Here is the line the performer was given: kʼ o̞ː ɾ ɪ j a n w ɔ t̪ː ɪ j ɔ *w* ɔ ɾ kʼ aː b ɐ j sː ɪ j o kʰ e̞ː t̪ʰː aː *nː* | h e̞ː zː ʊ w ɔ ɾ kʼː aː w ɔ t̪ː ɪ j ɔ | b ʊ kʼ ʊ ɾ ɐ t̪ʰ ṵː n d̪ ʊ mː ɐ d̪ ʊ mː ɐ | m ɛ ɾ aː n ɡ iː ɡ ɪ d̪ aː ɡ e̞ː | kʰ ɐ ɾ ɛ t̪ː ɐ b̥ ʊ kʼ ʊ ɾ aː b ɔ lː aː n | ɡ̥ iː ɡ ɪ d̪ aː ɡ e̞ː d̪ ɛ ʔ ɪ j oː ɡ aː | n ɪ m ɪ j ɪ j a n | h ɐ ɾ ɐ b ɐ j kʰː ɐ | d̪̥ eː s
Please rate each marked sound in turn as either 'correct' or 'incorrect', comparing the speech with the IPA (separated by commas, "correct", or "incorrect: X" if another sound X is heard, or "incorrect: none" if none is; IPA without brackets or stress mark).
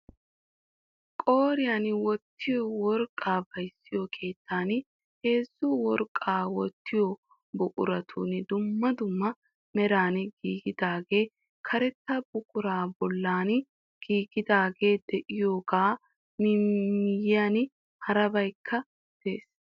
correct, incorrect: n